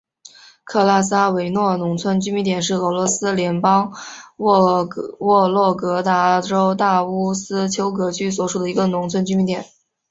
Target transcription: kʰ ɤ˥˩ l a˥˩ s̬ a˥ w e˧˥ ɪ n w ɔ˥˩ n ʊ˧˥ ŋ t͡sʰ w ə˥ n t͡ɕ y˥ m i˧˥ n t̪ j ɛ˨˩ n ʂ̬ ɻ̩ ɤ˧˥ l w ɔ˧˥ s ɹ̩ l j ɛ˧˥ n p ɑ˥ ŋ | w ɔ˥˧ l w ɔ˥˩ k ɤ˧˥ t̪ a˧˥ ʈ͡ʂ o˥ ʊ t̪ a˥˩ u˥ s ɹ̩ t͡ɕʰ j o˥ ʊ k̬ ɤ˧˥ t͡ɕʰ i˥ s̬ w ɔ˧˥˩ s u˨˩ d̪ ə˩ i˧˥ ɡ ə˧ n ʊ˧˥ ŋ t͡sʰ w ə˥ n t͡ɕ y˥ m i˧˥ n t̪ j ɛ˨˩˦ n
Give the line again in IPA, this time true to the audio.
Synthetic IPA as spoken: kʰ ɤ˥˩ l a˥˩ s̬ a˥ w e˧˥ ɪ n w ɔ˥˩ n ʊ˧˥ ŋ t͡sʰ w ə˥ n t͡ɕ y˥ m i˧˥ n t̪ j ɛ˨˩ n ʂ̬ ɻ̩ ɤ˧˥ l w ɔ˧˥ s ɹ̩ l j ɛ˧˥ n p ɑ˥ ŋ | w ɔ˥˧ l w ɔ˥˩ k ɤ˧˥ t̪ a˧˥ ʈ͡ʂ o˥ ʊ t̪ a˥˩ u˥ s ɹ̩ t͡ɕʰ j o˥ ʊ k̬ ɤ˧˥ t͡ɕʰ y˥ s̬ w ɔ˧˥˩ ʂ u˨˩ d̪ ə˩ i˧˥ ɡ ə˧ n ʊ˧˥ ŋ t͡sʰ w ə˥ n t͡ɕ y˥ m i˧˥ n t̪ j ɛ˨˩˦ n

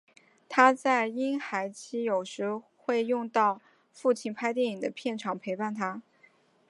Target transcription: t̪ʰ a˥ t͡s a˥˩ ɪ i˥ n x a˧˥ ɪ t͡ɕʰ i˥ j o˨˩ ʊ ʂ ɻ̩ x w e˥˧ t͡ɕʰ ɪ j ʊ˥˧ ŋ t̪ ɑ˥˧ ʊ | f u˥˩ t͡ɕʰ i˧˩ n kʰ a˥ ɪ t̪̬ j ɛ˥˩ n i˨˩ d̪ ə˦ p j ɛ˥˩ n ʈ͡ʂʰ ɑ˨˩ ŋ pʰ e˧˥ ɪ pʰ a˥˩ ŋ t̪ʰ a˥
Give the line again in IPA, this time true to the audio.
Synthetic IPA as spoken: t̪ʰ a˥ t͡s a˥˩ ɪ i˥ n x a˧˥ ɪ t͡ɕʰ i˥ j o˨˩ ʊ ʂ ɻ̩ x w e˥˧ ɪ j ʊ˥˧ ŋ t̪ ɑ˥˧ ʊ | f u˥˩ t͡ɕʰ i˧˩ n pʰ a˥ ɪ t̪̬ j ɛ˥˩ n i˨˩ d̪ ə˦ pʰ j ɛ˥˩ n ʈ͡ʂʰ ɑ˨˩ ŋ pʰ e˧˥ ɪ p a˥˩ n t̪ʰ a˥

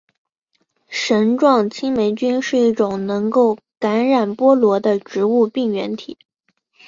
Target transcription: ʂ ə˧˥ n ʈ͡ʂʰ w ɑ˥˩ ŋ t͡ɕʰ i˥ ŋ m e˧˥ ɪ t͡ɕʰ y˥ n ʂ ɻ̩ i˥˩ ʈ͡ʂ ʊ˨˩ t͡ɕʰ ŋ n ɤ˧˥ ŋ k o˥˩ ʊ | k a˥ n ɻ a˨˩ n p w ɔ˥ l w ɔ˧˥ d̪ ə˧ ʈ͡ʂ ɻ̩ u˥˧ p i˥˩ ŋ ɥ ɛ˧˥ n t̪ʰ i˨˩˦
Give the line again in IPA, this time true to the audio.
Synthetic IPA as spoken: ʂ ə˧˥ n ʈ͡ʂ w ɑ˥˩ ŋ t͡ɕʰ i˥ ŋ m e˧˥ ɪ t͡ɕ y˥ n ʂ ɻ̩ i˥˩ ʈ͡ʂ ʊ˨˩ ŋ n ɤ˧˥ ŋ k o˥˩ ʊ | k a˧˥ n ɻ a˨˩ n p w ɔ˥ l w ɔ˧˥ d̪ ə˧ ʈ͡ʂ ɻ̩ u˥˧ p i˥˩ ŋ ɥ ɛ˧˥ n t̪ʰ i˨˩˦

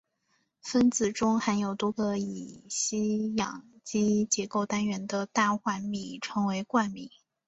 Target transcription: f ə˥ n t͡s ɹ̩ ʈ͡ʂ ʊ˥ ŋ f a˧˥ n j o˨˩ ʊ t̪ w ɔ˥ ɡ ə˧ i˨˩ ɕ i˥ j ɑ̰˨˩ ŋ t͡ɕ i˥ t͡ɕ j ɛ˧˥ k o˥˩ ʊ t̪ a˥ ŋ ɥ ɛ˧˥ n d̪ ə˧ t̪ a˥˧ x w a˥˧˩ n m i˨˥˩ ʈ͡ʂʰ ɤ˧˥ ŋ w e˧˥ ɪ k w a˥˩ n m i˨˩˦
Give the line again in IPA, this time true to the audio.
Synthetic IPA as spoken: f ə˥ n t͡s ɹ̩ ʈ͡ʂ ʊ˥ ŋ x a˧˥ n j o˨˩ ʊ t̪ w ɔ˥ ɡ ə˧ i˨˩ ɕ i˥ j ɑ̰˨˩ ŋ t͡ɕ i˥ t͡ɕ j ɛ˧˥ k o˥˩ ʊ t̪ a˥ n ɥ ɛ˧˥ n d̪ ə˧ t̪ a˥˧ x w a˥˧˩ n m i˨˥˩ ʈ͡ʂʰ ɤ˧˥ ŋ w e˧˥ ɪ k w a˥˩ n m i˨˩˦

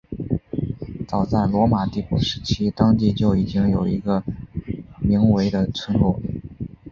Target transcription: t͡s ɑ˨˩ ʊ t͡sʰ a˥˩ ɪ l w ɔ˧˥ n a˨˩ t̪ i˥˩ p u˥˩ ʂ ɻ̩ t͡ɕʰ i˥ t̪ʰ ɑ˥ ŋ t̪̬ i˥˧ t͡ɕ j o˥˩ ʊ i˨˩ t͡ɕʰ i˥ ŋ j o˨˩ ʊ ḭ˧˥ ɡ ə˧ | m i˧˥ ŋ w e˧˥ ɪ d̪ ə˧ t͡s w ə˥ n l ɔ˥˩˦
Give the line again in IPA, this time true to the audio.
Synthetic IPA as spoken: t͡s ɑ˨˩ ʊ t͡s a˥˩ ɪ l w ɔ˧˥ m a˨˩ t̪ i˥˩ p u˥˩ ʂ ɻ̩ t͡ɕʰ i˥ t̪ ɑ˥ ŋ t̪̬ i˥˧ t͡ɕ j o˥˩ ʊ i˨˩ t͡ɕ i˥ ŋ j o˨˩ ʊ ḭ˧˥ ɡ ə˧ | m i˧˥ ŋ w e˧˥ ɪ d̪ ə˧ t͡sʰ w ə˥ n l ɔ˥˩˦

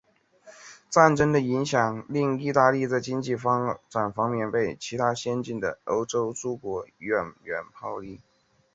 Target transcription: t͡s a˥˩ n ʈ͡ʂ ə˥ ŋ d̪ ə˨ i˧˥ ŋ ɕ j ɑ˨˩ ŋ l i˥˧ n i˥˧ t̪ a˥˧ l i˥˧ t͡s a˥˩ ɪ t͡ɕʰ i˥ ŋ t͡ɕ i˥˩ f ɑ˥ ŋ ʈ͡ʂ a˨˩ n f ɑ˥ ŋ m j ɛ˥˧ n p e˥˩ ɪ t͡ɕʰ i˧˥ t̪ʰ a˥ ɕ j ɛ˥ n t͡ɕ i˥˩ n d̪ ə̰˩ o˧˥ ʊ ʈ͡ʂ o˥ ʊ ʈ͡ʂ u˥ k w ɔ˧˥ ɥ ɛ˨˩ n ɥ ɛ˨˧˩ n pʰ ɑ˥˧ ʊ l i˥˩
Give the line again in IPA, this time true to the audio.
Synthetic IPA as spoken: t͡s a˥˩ n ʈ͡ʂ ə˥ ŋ d̪ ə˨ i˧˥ ŋ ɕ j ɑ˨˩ ŋ l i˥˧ ŋ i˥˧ t̪ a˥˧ l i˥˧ t͡s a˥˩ ɪ t͡ɕ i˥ ŋ t͡ɕ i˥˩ f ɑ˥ ŋ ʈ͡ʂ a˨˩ n f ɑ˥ ŋ m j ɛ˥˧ n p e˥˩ ɪ t͡ɕʰ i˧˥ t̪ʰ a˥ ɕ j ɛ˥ n t͡ɕ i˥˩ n d̪ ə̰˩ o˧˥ ʊ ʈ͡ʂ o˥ ʊ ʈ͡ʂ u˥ k w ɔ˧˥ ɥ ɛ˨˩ n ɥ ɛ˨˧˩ n pʰ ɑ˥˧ ʊ l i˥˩

